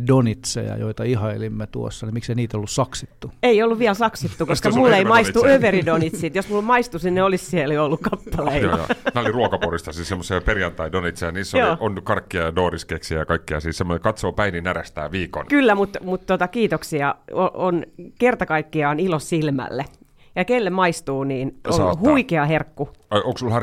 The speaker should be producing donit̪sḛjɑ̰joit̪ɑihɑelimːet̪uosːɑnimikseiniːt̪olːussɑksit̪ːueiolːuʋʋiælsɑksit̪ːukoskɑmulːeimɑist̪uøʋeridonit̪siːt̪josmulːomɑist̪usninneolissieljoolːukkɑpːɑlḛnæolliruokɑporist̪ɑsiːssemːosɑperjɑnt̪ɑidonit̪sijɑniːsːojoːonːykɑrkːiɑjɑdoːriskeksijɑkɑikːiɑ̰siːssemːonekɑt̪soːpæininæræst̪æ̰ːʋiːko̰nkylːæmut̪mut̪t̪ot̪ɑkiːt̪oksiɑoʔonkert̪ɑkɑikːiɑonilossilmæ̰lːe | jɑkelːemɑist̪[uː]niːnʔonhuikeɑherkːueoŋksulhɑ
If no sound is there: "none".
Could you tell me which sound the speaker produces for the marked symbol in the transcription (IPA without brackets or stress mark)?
uː